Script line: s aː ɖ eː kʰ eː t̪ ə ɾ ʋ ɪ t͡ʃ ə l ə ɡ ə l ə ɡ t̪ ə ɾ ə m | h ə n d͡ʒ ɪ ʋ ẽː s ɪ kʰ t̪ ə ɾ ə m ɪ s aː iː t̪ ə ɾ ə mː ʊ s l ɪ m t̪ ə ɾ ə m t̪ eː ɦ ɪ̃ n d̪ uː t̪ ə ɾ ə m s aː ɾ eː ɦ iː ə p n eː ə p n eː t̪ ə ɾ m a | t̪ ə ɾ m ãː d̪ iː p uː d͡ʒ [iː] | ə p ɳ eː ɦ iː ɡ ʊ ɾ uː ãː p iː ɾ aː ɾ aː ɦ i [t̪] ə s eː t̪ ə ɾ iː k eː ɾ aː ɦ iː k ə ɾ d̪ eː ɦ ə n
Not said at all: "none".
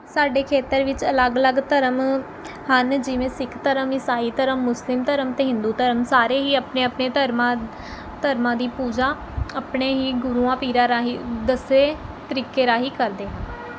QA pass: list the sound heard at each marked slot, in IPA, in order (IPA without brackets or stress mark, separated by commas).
aː, d̪